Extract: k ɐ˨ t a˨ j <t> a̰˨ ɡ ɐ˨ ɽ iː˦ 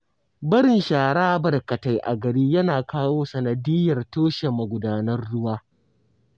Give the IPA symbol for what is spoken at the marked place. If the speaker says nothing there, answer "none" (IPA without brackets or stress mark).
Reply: ʔ